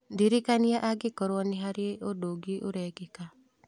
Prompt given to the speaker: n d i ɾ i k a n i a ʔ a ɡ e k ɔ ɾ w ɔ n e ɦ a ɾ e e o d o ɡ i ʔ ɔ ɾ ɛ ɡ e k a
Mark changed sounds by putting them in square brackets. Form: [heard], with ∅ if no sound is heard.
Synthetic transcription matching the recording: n d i ɾ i k a n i a ʔ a ɡ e k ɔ ɾ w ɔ n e ɦ a ɾ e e o d o ɡ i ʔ [o] ɾ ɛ ɡ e k a

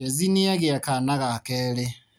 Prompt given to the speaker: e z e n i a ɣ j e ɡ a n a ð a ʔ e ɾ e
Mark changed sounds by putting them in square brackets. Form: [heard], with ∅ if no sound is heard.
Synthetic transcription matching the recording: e z [i] n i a ɣ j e [k] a n a [ɣ] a [k] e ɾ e

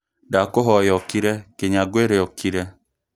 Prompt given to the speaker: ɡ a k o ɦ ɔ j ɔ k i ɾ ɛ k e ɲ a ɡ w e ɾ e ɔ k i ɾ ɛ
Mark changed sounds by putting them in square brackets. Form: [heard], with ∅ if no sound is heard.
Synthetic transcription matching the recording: [d] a k o ɦ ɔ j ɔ k i ɾ ɛ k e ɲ a ɡ w e ɾ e ɔ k i ɾ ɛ

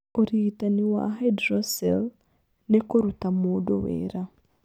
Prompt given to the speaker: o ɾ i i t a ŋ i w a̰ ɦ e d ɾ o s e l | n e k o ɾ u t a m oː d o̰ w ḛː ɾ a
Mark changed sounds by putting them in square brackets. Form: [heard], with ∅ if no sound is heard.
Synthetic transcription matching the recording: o ɾ i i t a [n] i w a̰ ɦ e d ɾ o s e l | n e k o ɾ u t a m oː d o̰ w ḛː ɾ a

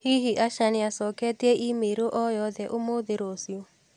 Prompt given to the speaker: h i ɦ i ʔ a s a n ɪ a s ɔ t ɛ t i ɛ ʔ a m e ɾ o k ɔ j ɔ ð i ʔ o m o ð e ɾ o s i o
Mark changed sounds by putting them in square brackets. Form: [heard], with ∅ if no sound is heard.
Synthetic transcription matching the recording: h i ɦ i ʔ a [ʃ] a n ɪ a s ɔ [k] ɛ t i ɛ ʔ [i] m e ɾ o [ʔ] ɔ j ɔ ð [ɛ] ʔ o m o ð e ɾ o s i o

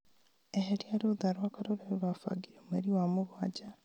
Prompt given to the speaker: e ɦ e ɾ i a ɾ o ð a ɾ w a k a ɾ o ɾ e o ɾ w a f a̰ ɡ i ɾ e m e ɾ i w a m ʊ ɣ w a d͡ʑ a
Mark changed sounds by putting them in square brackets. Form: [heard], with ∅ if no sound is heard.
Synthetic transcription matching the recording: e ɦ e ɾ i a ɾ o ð a ɾ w a k a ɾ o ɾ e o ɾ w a f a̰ ɡ i ɾ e m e ɾ i w a m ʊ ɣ w a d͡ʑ a

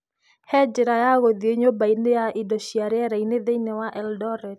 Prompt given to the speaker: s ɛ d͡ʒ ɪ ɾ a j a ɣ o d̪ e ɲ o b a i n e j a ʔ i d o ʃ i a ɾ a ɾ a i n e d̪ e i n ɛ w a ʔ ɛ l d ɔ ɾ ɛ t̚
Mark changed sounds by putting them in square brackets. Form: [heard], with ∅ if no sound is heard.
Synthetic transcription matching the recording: [h] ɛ d͡ʒ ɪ ɾ a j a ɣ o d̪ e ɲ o b a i n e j a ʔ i d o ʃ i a ɾ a ɾ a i n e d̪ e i n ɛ w a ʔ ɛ l d ɔ ɾ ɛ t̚

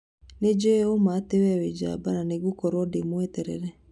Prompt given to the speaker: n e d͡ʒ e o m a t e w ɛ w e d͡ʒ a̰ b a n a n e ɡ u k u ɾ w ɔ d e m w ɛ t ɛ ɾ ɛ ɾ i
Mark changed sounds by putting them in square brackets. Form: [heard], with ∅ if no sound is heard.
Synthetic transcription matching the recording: n e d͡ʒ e o m a t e w ɛ w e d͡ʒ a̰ b a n a n e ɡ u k [ɔ] ɾ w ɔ d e m w ɛ t ɛ ɾ ɛ ɾ [ɛ]

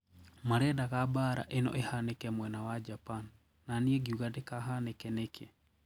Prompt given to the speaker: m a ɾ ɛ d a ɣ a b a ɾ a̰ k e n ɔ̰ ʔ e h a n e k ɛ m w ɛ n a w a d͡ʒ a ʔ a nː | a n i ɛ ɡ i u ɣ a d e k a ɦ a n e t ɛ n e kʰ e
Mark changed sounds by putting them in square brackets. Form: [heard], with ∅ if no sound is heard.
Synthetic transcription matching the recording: m a ɾ ɛ d a ɣ a b a ɾ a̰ [ʔ] e n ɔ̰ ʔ e h a n e k ɛ m w ɛ n a w a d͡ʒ a [p] a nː | a n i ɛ ɡ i u ɣ a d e k a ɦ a n e [k] ɛ n e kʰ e

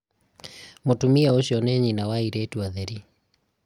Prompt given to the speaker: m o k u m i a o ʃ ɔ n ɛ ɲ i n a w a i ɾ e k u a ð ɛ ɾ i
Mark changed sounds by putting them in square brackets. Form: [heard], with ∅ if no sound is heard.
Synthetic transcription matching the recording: m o [t] u m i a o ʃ ɔ n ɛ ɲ i n a w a i ɾ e [t] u a ð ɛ ɾ i

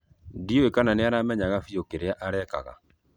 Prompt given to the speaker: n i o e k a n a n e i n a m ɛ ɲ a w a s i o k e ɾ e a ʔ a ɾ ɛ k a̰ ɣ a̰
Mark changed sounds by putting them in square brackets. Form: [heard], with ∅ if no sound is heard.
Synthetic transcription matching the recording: [d] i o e k a n a n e [a] n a m ɛ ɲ a [ɣ] a [f] i o k e ɾ e a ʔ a ɾ ɛ k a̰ ɣ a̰

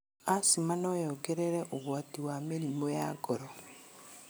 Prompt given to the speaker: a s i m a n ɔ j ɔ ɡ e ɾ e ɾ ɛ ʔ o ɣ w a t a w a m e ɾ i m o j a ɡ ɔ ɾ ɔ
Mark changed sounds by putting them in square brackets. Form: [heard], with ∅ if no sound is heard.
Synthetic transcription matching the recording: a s i m a n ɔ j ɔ ɡ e ɾ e ɾ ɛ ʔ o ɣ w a t [i] w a m e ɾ i m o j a ɡ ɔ ɾ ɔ

